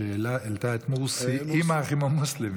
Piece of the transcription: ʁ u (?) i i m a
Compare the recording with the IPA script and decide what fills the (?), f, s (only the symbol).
s